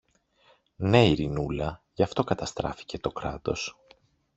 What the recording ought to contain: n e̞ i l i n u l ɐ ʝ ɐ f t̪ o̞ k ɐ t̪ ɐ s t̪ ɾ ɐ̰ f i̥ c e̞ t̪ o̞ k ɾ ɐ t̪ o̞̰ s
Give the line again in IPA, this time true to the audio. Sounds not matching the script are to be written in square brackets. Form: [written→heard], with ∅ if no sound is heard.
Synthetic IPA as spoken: n e̞ i [l→ɾ] i n u l ɐ ʝ ɐ f t̪ o̞ k ɐ t̪ ɐ s t̪ ɾ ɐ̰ f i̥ c e̞ t̪ o̞ k ɾ ɐ t̪ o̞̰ s